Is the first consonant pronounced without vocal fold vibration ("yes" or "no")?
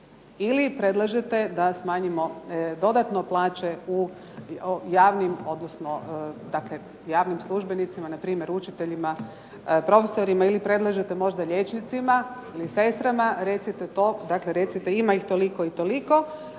no